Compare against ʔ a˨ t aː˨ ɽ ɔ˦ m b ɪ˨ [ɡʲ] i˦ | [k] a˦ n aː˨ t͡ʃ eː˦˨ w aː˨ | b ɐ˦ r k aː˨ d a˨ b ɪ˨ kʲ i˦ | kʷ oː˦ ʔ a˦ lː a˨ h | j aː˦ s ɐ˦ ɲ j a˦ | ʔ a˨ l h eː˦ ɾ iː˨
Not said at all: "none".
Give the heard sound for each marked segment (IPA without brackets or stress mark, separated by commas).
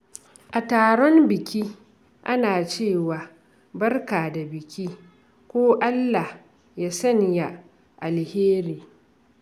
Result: kʲ, ʔ